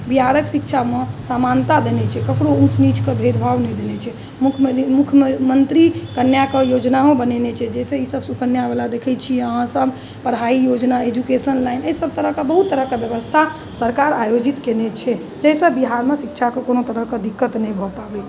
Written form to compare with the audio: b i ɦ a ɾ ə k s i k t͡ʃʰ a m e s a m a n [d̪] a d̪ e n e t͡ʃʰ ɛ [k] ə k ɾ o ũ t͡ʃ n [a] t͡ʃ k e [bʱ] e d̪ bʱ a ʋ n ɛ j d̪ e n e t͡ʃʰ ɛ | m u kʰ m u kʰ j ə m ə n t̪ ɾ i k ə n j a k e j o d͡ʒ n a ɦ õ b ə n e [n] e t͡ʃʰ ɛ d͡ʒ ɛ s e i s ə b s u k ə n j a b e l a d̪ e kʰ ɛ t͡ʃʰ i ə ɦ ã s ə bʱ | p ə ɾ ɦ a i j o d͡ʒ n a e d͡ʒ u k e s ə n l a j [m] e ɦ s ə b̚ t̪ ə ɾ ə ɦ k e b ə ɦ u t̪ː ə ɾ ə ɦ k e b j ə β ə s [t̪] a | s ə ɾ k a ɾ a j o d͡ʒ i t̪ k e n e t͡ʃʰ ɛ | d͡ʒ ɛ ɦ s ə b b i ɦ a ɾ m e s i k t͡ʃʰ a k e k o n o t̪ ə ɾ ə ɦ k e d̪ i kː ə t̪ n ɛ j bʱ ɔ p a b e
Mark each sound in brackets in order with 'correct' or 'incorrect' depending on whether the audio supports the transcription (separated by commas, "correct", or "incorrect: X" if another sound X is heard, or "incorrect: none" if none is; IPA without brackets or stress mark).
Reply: incorrect: t̪, correct, incorrect: i, correct, correct, incorrect: n, incorrect: t̪ʰ